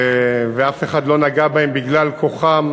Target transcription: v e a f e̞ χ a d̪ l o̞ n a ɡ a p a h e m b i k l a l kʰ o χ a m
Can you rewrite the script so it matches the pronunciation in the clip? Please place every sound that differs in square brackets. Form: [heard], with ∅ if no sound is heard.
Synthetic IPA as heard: v e a f e̞ χ a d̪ l o̞ n a ɡ a [b] a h e m b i [ɡ] l a l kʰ o χ a m